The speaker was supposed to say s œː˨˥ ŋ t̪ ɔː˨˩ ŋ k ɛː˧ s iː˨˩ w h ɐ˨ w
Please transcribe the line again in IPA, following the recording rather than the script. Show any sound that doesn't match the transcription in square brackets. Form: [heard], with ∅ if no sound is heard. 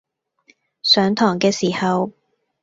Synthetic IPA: s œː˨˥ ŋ [t̪ʰ] ɔː˨˩ ŋ k ɛː˧ s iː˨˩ [∅] h ɐ˨ w